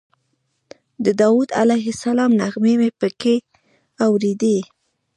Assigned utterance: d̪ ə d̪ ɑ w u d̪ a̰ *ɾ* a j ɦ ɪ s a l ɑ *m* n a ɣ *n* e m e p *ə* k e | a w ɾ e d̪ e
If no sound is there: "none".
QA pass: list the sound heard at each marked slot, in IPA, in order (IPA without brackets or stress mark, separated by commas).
l, m, m, ə